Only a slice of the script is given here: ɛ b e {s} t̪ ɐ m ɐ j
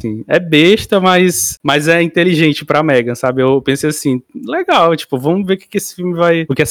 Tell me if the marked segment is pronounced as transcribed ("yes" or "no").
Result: no